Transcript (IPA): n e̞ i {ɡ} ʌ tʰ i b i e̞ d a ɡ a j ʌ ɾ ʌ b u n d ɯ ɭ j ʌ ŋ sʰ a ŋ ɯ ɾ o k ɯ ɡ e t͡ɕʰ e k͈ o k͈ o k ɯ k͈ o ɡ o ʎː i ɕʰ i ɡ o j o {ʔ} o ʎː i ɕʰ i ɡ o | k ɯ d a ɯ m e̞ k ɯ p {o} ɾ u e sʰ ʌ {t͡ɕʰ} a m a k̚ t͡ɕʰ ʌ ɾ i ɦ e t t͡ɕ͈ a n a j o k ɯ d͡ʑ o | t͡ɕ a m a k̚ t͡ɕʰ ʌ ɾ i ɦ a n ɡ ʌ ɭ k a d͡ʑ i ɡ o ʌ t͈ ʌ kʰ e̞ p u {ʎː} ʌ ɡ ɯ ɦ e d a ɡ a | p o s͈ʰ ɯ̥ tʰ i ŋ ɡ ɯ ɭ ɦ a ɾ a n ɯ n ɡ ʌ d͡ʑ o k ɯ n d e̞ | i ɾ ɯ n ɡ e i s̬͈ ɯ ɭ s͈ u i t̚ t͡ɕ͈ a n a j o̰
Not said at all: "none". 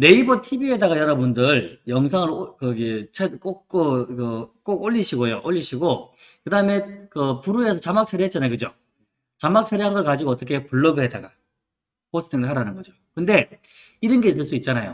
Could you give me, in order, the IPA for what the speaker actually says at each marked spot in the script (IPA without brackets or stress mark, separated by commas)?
b, ʔ, u, t͡ɕ, ɭː